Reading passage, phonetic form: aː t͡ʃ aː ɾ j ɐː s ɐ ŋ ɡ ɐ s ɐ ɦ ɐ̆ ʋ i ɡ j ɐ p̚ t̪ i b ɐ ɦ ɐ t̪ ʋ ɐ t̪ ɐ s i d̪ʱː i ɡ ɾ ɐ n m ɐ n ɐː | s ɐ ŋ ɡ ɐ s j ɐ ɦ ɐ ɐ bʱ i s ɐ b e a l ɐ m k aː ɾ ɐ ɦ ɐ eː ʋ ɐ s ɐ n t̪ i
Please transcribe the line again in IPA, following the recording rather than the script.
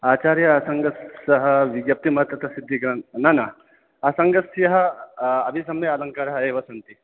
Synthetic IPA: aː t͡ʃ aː ɾ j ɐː s ɐ ŋ ɡ ɐ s ɐ ɦ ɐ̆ ʋ i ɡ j ɐ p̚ t̪ i m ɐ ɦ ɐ t̪ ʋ ɐ t̪ ɐ s i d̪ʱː i ɡ ɾ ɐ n n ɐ n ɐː | s ɐ ŋ ɡ ɐ s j ɐ ɦ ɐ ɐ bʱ i s ɐ m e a l ɐ ŋ k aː ɾ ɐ ɦ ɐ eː ʋ ɐ s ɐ n t̪ i